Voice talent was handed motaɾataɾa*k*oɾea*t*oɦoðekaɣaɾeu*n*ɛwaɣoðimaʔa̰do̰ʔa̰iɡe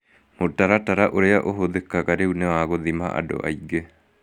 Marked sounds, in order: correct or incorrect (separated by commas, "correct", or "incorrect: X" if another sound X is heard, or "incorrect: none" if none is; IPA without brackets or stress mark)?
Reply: incorrect: ʔ, incorrect: ʔ, correct